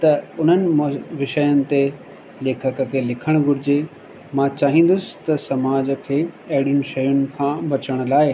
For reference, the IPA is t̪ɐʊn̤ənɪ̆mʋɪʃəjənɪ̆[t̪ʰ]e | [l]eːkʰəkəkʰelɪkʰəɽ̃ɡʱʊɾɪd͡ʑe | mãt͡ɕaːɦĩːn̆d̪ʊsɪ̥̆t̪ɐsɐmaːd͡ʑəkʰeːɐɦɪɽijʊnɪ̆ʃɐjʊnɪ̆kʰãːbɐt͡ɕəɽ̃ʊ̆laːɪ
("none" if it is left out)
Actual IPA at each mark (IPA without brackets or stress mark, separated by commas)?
t̪, l